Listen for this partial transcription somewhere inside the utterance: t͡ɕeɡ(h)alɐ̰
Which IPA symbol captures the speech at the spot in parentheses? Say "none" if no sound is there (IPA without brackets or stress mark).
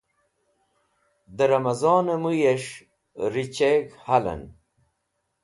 h